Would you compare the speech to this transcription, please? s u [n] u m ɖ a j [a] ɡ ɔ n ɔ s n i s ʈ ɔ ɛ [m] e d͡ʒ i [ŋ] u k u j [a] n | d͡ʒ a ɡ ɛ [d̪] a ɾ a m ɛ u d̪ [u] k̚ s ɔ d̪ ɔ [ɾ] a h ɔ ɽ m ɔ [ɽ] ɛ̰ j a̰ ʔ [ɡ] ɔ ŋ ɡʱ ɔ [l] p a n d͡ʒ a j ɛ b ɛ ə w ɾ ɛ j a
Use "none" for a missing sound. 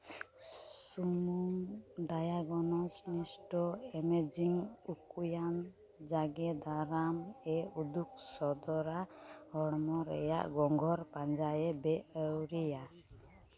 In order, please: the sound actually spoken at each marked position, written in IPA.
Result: m, a, m, ŋ, a, d̪, u, ɾ, ɾ, ɡ, ɾ

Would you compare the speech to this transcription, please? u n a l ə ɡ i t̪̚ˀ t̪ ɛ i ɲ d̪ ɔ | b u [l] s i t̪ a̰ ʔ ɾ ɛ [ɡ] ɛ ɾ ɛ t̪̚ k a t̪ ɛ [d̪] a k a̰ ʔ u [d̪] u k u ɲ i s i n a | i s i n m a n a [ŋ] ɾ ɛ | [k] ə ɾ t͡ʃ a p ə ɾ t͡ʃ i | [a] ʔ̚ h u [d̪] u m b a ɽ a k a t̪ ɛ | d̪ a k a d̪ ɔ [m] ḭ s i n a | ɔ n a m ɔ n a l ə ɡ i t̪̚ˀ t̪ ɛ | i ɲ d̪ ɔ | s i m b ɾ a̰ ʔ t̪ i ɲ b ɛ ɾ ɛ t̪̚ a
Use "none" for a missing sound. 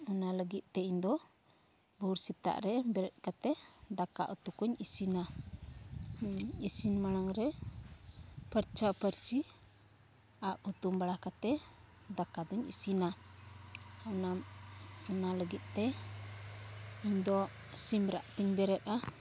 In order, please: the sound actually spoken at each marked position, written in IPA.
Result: ɾ, b, d̪, t̪, ŋ, p, a, t̪, ɲ

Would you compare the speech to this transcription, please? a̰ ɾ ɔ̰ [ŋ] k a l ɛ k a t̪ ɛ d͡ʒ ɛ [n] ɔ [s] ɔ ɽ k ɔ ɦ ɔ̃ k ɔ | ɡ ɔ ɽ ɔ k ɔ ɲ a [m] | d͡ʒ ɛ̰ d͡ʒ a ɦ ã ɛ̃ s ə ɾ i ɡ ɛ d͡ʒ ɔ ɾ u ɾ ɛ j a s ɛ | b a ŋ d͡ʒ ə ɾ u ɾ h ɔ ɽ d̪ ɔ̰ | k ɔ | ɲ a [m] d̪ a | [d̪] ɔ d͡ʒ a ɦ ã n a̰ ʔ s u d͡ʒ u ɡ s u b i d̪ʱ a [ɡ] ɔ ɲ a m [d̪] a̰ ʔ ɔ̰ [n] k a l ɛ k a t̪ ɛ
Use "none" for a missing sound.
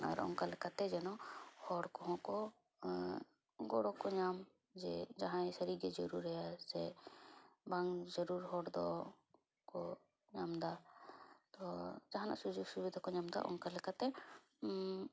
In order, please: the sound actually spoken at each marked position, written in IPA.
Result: ŋ, n, h, m, m, t̪, k, d̪, ŋ

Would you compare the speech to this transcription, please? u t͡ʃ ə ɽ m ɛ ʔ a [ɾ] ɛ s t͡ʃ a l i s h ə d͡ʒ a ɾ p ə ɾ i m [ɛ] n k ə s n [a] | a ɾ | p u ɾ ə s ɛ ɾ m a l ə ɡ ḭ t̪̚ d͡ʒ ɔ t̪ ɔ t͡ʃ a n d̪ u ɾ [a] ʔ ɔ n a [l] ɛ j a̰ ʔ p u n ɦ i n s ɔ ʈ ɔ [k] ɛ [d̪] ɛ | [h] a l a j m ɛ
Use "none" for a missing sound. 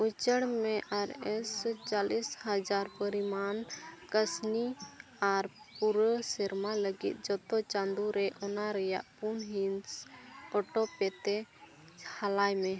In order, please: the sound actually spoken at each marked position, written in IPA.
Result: ɾ, a, i, ɛ, ɾ, p, t̪, h

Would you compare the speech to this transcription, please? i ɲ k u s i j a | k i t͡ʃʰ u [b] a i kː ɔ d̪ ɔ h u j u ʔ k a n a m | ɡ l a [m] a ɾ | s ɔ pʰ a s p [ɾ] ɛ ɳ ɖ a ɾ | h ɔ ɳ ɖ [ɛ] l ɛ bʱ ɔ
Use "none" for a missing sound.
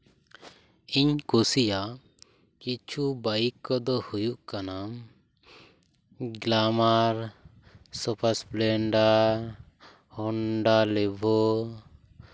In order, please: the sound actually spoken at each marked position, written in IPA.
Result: b, m, l, a

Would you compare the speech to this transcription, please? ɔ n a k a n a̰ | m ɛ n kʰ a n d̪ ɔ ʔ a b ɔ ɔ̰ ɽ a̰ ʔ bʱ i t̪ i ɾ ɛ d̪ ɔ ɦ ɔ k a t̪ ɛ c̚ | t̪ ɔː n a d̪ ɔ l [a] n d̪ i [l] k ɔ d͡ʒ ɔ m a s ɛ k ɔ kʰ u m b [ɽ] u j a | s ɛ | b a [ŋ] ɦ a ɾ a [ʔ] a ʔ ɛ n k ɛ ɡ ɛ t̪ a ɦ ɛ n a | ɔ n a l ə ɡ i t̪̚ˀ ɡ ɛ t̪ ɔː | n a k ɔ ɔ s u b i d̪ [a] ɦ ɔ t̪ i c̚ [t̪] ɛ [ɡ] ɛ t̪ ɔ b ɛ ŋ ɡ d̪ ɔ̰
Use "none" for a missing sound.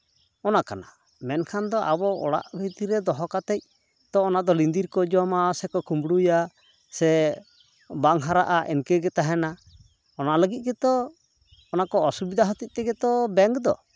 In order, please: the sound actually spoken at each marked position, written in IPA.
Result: i, ɾ, ɽ, ŋ, ʔ, a, t̪, ɡ

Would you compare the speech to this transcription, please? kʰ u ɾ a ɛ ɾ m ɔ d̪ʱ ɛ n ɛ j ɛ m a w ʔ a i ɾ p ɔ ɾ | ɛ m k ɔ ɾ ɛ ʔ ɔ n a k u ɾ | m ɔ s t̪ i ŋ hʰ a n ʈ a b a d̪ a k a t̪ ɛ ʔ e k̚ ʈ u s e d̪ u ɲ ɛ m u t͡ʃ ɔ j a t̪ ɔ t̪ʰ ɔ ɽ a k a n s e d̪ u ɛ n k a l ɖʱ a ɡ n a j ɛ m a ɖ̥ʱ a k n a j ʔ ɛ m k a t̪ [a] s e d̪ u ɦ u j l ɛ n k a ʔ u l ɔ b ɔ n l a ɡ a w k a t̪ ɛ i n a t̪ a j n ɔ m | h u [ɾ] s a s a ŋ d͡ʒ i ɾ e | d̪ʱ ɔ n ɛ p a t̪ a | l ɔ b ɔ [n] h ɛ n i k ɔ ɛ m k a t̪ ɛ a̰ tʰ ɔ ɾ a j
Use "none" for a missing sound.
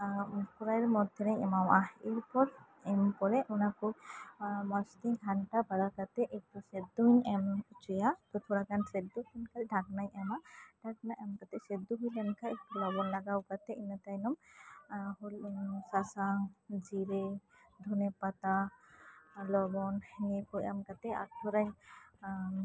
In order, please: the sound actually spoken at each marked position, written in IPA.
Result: ɛ, l, n

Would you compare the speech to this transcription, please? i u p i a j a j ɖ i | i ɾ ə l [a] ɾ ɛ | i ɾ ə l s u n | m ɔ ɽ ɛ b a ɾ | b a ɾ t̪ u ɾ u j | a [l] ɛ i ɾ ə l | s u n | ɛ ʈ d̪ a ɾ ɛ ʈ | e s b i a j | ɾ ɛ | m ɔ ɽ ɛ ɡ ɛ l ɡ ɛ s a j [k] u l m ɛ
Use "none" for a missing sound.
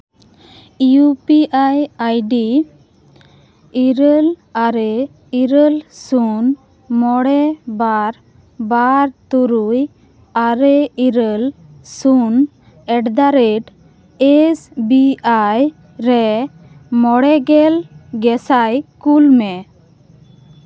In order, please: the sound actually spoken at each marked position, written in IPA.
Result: a, ɾ, k

